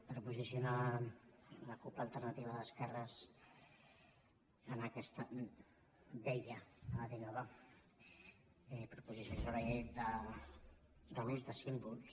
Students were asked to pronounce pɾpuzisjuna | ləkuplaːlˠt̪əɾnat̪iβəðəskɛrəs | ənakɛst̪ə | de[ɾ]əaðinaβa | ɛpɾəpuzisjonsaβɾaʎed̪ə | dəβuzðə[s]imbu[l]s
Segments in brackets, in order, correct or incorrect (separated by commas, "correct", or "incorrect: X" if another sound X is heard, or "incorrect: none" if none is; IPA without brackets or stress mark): incorrect: ʎ, correct, correct